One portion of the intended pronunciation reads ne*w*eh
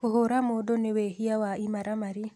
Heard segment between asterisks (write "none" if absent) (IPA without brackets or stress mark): w